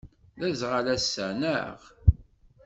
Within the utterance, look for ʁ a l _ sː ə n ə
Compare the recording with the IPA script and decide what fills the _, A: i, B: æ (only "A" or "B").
B